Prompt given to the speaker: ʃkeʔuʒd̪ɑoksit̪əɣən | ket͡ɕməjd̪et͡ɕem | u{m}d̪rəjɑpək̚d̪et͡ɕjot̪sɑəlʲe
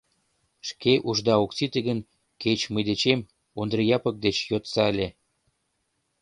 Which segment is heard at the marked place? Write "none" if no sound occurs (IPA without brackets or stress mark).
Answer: n